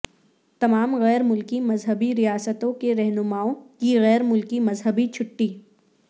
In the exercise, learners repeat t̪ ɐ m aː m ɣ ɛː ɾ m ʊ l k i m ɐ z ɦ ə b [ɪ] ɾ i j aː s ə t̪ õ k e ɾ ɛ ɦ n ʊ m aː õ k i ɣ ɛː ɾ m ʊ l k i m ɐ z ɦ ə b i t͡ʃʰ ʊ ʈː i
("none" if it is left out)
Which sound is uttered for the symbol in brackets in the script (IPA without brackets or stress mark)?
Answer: i